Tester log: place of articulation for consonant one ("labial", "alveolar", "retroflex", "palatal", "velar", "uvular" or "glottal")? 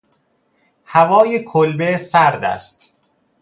glottal